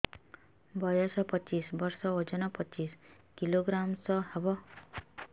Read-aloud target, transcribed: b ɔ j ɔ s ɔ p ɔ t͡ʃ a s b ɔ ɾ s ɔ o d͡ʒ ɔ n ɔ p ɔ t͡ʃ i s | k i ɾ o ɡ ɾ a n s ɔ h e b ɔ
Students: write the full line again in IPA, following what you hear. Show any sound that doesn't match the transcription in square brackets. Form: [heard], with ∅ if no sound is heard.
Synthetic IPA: b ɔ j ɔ s ɔ p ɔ t͡ʃ [i] s b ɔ ɾ s ɔ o d͡ʒ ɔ n ɔ p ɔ t͡ʃ i s | k i [l] o ɡ ɾ a [m] s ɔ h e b ɔ